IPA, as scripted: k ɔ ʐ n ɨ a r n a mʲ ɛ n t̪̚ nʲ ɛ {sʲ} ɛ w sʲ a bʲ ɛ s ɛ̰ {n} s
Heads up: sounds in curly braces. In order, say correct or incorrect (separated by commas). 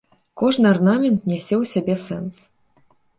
correct, correct